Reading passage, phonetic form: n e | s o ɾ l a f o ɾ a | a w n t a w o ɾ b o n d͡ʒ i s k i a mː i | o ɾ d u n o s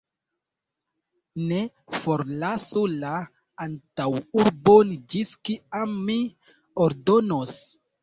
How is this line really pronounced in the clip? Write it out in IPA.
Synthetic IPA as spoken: n e | f o ɾ l a s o l a | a n t a w u ɾ b o n d͡ʒ i s k i a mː i | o ɾ d o n o s